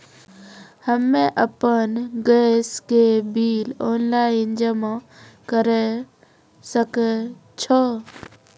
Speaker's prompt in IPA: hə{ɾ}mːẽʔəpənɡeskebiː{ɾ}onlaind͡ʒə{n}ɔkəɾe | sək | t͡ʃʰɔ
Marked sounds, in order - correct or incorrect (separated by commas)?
incorrect, incorrect, incorrect